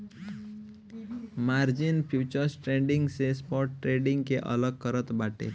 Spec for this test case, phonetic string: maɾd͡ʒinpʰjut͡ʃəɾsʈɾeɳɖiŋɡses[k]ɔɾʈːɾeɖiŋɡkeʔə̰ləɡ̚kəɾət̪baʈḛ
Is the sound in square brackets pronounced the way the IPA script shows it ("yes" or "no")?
no